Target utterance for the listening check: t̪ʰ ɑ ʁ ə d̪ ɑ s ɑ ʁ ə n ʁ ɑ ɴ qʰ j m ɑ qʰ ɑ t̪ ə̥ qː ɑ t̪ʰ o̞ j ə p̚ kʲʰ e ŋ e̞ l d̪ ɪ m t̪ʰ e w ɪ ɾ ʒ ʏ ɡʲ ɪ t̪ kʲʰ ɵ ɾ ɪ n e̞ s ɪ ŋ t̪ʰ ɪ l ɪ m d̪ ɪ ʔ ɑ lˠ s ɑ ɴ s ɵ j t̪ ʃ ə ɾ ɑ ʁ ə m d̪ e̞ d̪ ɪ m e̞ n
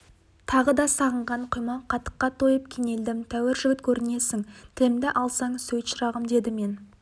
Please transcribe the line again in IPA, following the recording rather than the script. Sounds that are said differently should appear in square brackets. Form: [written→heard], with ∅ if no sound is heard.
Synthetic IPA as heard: t̪ʰ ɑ ʁ ə d̪ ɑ s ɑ ʁ ə [n→ɴ] ʁ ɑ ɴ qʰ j m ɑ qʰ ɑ t̪ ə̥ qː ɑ t̪ʰ o̞ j ə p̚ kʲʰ e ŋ e̞ l d̪ ɪ m t̪ʰ [e→æ] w ɪ ɾ ʒ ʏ ɡʲ ɪ t̪ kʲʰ ɵ ɾ ɪ n e̞ s ɪ ŋ t̪ʰ ɪ l ɪ m d̪ ɪ ʔ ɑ lˠ s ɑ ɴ s ɵ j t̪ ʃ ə ɾ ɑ ʁ ə m d̪ e̞ d̪ ɪ m e̞ n